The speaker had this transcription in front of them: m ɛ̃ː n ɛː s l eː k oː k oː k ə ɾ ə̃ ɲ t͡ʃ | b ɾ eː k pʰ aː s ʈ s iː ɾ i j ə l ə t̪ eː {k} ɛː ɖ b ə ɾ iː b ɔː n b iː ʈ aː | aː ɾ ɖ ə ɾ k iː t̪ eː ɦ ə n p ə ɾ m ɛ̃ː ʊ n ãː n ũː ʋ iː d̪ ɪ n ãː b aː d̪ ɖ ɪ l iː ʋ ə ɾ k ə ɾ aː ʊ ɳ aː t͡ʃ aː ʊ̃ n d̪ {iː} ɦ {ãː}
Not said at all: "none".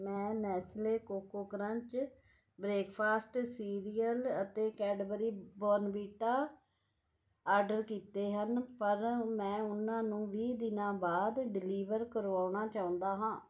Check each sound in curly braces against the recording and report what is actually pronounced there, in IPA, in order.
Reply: k, aː, ãː

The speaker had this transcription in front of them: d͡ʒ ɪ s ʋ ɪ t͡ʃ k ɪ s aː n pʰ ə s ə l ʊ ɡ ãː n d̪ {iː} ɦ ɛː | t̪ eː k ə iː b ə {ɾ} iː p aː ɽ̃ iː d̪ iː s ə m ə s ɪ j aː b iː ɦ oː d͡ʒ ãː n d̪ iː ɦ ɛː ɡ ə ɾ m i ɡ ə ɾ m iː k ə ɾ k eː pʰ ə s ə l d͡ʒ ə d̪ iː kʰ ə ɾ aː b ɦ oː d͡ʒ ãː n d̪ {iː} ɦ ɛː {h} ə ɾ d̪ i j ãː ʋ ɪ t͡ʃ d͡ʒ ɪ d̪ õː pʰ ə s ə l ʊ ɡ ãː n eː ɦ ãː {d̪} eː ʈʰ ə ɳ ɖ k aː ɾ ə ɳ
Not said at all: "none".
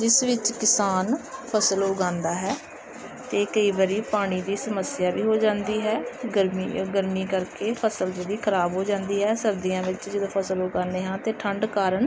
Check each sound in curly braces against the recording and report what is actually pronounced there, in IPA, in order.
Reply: aː, ɾ, iː, s, t̪

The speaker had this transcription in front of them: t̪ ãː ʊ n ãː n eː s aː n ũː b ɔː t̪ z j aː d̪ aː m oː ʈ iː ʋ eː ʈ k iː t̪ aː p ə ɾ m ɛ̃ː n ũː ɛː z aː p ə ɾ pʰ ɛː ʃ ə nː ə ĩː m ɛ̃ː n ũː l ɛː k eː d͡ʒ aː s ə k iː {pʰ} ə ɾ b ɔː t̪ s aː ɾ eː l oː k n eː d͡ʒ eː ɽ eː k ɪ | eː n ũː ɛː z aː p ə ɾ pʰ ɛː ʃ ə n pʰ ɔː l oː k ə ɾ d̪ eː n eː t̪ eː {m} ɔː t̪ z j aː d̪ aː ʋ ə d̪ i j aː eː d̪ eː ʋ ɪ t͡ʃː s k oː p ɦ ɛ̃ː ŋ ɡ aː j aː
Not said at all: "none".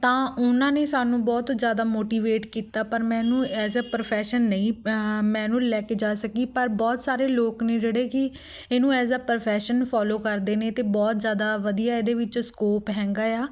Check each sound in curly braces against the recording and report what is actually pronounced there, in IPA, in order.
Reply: p, b

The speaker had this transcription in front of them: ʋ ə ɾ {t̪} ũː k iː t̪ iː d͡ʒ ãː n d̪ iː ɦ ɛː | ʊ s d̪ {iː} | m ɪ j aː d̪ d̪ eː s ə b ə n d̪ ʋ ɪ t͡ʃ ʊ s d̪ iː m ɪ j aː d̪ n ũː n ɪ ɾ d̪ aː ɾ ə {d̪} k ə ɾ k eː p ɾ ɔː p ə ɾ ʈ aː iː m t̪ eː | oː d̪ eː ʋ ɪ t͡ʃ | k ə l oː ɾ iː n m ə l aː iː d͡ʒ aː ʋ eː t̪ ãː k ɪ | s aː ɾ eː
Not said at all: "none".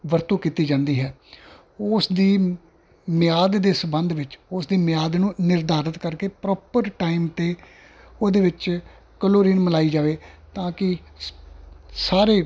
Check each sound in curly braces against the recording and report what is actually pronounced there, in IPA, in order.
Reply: t̪, iː, t̪

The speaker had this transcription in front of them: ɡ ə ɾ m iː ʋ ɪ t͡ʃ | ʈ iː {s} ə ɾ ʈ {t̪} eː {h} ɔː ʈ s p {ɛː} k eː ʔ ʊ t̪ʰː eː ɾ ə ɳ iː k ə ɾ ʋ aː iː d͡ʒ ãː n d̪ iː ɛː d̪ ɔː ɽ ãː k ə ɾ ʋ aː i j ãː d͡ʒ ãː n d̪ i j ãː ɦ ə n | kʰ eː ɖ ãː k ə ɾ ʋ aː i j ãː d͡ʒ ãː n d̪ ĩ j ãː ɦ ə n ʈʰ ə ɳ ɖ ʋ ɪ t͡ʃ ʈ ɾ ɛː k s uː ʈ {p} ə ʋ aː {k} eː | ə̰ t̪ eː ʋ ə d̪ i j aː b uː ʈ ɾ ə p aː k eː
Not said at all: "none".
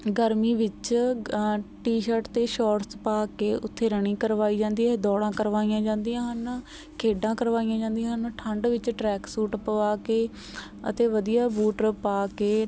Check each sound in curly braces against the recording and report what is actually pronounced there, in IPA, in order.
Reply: ʃ, t̪, ʃ, aː, p, k

